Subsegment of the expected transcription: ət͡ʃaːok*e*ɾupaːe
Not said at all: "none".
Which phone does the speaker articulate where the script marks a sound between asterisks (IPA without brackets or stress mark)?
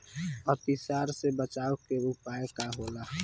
e